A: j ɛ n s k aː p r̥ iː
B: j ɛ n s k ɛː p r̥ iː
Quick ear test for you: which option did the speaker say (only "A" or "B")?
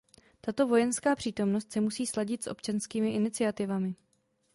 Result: A